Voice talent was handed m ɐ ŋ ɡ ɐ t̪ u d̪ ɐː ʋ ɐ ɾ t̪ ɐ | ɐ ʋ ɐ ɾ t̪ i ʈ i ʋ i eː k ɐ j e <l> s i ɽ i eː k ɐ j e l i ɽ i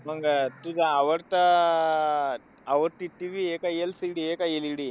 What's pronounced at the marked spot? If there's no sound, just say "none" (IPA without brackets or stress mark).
l